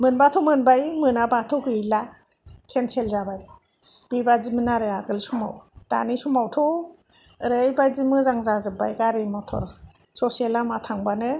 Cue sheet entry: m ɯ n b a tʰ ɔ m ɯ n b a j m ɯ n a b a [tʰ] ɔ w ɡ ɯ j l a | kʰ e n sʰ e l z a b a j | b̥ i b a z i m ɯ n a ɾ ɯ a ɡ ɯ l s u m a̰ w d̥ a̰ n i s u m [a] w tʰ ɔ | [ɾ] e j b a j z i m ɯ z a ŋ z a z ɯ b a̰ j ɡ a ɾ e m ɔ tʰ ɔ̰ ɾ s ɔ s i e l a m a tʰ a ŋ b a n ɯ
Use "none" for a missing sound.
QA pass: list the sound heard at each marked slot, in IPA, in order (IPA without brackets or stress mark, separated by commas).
tʰ, a, ɾ